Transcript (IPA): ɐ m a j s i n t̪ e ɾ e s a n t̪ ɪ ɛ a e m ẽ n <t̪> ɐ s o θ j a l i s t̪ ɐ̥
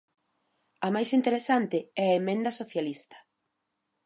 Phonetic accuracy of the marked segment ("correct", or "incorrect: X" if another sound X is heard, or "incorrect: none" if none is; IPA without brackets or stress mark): incorrect: d̪